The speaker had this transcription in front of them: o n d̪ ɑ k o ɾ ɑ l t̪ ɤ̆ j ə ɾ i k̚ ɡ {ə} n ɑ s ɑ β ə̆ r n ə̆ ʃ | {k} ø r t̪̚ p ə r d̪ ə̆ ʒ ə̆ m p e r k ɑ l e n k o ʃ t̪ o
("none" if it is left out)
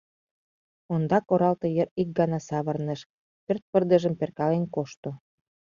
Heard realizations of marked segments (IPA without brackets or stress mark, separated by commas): ɑ, p